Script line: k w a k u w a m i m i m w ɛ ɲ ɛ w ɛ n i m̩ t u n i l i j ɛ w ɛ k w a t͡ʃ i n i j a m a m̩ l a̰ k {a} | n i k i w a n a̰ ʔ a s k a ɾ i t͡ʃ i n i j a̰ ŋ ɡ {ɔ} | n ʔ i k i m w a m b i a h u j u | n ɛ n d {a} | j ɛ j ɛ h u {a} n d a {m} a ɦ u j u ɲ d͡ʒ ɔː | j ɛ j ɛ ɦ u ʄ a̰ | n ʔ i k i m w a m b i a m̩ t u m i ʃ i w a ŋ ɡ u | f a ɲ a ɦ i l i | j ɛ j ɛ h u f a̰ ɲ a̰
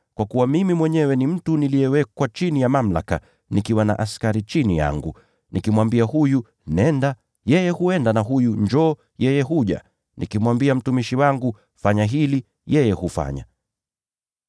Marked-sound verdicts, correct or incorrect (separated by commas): correct, incorrect, correct, incorrect, incorrect